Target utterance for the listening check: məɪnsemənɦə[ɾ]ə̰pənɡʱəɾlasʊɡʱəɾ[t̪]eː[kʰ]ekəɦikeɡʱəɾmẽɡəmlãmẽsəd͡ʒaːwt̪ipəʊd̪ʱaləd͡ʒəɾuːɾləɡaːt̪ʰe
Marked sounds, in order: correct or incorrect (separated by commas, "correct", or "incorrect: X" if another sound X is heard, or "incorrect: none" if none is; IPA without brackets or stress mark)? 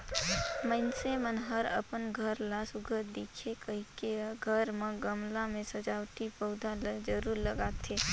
correct, incorrect: d̪, correct